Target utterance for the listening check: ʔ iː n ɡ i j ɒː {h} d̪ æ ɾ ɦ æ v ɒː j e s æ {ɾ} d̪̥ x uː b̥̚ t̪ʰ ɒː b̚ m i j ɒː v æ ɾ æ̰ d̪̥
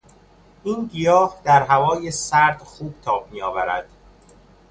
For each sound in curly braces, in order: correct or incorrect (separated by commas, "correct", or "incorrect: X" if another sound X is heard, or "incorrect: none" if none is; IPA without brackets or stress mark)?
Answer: correct, correct